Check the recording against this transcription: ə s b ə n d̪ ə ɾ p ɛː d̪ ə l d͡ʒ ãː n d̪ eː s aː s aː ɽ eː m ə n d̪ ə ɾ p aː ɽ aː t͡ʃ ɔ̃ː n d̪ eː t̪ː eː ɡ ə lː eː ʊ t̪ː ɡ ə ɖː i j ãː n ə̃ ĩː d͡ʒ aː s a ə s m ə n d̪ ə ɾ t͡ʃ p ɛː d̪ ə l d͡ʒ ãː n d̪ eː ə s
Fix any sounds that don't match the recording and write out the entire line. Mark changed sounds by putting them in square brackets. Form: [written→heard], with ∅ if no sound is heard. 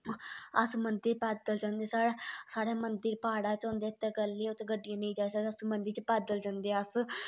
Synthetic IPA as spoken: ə s [b→m] ə n d̪ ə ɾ p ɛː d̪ ə l d͡ʒ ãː n d̪ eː s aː s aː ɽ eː m ə n d̪ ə ɾ p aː ɽ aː t͡ʃ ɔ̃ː n d̪ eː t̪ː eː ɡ ə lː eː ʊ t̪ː ɡ ə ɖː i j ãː n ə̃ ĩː d͡ʒ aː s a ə s m ə n d̪ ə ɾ t͡ʃ p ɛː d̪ ə l d͡ʒ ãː n d̪ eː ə s